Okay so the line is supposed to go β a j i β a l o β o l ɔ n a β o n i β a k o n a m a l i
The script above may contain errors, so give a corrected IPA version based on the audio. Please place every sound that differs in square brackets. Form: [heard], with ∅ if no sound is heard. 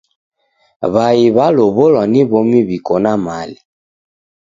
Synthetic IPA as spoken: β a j i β a l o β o l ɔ n [i] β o [m] i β [i] k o n a m a l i